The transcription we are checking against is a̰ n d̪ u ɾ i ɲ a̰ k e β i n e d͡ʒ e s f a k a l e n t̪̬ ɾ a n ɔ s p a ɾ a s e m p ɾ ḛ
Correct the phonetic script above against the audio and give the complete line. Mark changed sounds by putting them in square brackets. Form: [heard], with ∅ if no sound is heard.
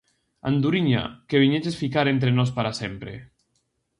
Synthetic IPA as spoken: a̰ n d̪ u ɾ i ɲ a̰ k e β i [ɲ] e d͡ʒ e s f [i] k a [ɾ] e n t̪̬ ɾ [e] n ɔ s p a ɾ a s e m p ɾ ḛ

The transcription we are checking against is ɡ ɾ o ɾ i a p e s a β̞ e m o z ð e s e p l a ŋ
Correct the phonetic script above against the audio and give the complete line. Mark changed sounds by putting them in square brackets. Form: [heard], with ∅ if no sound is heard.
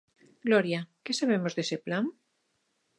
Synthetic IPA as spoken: ɡ [l] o ɾ [j] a [k] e s a β̞ e m o z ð e s e p l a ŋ

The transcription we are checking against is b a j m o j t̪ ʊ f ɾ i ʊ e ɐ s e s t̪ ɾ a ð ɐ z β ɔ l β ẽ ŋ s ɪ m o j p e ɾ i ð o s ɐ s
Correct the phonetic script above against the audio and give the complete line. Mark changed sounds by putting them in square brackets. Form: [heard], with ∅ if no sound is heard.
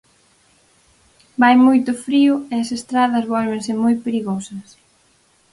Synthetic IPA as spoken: b a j m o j t̪ ʊ f ɾ i ʊ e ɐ s e s t̪ ɾ a ð ɐ z β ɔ l β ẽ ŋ s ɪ m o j p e ɾ i [ɣ] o s ɐ s

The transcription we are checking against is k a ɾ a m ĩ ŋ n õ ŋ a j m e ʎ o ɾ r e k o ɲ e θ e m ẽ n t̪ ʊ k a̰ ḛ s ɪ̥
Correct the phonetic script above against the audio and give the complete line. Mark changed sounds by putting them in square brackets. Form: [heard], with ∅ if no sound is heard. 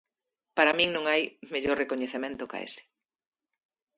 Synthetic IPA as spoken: [p] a ɾ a m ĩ ŋ n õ ŋ a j m e ʎ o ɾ r e k o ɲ e θ e m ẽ n t̪ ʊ k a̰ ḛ s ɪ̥

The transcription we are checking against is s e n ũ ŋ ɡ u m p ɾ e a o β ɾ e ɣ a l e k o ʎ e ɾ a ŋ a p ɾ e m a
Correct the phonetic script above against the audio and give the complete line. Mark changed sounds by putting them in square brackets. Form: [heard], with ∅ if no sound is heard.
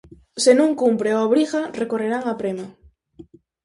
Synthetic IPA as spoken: s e n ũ ŋ [k] u m p ɾ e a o β ɾ [i] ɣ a [r] e k o [r] e ɾ a ŋ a p ɾ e m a

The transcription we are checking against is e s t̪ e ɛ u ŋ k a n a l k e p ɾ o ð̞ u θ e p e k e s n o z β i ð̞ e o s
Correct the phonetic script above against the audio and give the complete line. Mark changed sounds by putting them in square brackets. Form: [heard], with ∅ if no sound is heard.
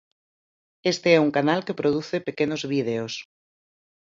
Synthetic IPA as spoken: e s t̪ e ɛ u ŋ k a n a l k e p ɾ o ð̞ u θ e p e k e [∅] n o z β i ð̞ e o s

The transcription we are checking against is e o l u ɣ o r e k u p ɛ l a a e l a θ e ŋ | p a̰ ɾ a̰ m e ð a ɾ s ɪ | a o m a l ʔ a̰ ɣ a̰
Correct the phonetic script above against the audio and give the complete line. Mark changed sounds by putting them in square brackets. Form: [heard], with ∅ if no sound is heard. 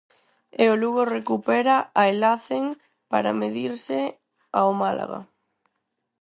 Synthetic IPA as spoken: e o l u ɣ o r e k u p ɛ [ɾ] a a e l a θ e ŋ | p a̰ ɾ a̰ m e ð [i] ɾ s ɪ | a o m a l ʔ a̰ ɣ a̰

